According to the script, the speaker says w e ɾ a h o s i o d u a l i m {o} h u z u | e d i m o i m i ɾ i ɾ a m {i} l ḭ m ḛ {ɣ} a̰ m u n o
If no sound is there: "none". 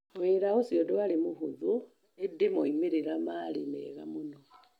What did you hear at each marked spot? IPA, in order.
u, a, ɣ

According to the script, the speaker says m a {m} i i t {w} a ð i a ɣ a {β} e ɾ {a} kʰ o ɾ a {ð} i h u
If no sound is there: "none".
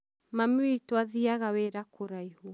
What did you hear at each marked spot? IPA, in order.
m, w, w, a, none

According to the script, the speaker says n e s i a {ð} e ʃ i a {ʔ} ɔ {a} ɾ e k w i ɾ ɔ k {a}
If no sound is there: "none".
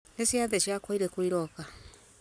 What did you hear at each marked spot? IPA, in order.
ð, k, i, a

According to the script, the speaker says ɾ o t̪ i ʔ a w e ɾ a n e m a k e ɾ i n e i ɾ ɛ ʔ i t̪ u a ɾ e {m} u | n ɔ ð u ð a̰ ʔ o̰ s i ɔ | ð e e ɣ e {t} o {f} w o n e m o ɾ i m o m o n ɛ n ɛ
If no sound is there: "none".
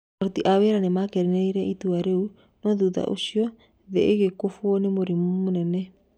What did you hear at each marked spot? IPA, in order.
none, k, f

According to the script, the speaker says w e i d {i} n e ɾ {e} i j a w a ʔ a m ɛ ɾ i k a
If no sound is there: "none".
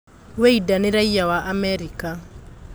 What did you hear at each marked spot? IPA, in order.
a, a

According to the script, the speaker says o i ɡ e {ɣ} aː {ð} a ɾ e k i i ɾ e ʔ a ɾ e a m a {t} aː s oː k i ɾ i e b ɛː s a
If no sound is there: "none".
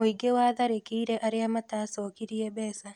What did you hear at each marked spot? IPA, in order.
w, ð, t

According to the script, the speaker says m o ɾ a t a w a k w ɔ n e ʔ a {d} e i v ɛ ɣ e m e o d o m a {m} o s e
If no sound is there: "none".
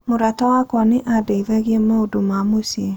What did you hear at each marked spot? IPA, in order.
d, m

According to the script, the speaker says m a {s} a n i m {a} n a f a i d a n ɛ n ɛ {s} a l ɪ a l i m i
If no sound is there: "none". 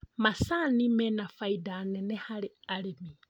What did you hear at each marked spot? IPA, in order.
s, ɛ, h

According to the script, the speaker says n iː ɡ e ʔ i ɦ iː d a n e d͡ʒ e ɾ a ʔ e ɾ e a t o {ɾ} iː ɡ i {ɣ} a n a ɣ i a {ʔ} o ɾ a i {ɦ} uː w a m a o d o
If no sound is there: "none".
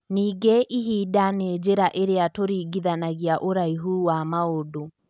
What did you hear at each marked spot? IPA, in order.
ɾ, ð, ʔ, ɦ

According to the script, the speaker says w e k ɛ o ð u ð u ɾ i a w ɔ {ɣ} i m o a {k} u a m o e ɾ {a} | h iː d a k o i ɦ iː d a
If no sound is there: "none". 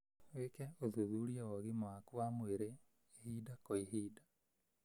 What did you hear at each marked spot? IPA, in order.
ɣ, k, e

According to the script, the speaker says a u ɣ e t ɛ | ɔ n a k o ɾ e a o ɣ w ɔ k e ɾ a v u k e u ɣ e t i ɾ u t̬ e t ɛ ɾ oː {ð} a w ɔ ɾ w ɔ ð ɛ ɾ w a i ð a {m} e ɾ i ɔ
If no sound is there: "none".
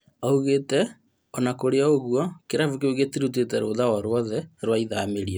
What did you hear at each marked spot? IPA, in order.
ð, m

